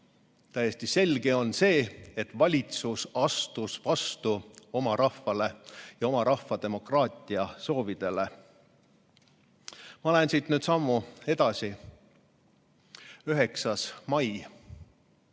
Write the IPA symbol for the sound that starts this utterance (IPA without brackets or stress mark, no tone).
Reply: t̪